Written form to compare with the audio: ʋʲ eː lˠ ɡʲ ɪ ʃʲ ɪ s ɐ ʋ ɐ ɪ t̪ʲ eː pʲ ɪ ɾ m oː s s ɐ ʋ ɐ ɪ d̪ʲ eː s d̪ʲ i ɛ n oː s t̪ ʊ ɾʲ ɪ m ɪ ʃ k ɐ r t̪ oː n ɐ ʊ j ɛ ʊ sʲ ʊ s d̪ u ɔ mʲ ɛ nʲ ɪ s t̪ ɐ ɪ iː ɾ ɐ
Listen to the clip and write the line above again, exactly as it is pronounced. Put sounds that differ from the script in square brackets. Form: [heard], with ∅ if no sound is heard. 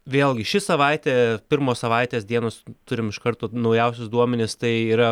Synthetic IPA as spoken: ʋʲ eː lˠ ɡʲ ɪ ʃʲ ɪ s ɐ ʋ ɐ ɪ t̪ʲ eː pʲ ɪ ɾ m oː s s ɐ ʋ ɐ ɪ [t̪ʲ] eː s d̪ʲ i ɛ n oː s t̪ ʊ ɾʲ ɪ m ɪ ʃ k ɐ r t̪ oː n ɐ ʊ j ɛ ʊ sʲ ʊ s d̪ u ɔ mʲ ɛ nʲ ɪ s t̪ ɐ ɪ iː ɾ ɐ